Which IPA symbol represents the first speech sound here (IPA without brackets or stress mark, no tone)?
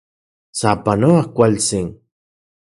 s